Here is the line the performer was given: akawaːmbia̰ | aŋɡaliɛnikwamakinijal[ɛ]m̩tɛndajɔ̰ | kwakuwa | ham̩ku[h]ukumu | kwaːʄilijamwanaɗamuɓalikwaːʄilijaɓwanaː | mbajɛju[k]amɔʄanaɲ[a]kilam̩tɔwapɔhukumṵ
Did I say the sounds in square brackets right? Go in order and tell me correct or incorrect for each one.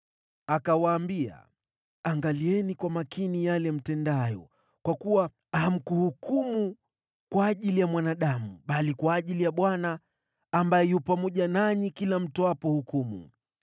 correct, correct, incorrect: p, incorrect: i

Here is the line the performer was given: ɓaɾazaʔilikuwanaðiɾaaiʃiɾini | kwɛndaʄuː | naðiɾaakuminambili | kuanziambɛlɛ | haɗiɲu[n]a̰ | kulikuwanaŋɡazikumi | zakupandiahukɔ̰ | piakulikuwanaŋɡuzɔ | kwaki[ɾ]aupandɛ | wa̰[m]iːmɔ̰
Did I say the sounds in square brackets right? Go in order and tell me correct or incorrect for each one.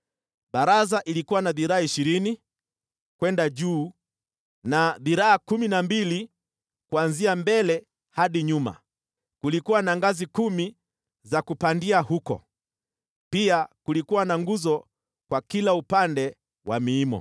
incorrect: m, incorrect: l, correct

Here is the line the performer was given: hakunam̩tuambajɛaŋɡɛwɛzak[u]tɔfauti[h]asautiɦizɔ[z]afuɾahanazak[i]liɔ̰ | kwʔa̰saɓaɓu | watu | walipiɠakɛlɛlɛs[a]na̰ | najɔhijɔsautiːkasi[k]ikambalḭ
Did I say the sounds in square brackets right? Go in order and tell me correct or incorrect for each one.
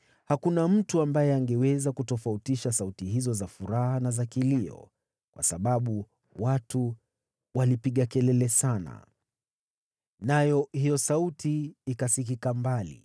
correct, incorrect: ʃ, correct, correct, correct, correct

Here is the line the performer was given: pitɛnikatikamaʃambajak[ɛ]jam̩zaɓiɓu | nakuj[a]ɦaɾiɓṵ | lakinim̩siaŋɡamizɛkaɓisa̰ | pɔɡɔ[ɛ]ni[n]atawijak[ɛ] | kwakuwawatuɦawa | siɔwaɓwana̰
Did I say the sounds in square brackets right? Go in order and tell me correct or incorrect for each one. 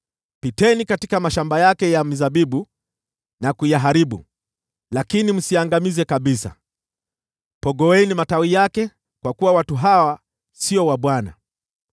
correct, correct, correct, incorrect: m, correct

